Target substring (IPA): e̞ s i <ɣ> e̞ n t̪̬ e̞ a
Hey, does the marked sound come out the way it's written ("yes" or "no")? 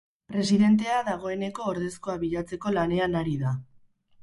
no